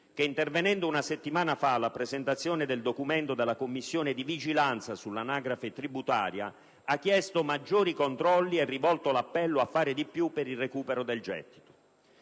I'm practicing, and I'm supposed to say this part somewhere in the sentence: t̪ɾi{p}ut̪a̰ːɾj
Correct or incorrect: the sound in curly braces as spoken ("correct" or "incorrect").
incorrect